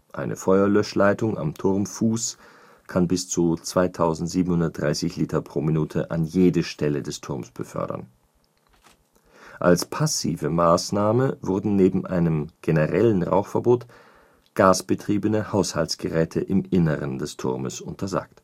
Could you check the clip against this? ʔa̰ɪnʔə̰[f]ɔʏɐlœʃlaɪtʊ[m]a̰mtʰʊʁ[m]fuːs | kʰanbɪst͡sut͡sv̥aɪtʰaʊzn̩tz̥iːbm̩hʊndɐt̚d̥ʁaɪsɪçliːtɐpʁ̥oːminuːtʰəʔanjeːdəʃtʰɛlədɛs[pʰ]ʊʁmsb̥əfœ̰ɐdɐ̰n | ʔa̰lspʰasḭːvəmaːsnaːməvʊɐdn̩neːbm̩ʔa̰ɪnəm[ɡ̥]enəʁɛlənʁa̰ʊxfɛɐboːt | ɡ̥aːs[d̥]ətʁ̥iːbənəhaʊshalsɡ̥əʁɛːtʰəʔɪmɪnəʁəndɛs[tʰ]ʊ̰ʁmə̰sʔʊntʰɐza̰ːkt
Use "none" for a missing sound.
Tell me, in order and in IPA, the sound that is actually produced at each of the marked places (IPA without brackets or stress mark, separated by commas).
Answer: f, ŋ, m, tʰ, ɡ̥, b̥, tʰ